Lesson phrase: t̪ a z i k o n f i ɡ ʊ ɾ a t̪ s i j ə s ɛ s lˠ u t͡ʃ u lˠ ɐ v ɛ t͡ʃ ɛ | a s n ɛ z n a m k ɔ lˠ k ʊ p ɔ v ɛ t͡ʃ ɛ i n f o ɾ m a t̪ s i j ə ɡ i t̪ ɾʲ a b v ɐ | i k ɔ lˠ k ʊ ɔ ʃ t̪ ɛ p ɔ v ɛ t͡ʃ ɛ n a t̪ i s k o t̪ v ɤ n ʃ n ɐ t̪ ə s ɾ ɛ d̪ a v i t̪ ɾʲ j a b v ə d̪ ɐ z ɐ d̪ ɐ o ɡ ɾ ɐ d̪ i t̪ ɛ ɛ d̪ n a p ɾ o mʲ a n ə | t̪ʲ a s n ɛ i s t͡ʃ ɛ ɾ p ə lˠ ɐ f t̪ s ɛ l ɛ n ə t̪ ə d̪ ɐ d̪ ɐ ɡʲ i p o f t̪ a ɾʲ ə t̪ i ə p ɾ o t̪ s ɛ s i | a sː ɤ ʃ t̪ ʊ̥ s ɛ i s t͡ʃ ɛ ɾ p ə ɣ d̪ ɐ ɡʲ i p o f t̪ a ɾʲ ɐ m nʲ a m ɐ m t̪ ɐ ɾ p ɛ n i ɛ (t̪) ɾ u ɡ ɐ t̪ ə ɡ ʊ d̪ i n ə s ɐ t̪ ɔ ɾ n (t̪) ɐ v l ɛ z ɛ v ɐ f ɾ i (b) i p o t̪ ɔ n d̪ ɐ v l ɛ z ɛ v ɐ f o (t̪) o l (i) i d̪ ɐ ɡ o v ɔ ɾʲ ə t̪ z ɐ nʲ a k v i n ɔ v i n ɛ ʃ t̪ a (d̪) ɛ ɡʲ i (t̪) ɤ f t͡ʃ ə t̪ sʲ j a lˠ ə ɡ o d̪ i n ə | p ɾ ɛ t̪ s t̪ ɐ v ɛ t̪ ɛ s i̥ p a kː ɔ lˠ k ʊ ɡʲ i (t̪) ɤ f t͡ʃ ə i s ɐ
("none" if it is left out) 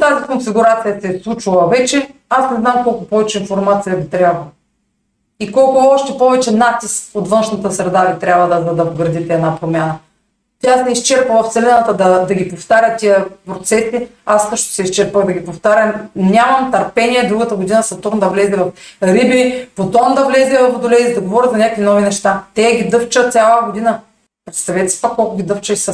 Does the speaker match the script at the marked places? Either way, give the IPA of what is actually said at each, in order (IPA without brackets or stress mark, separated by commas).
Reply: d̪, d̪, b, d̪, ɛ, t̪, d̪, d̪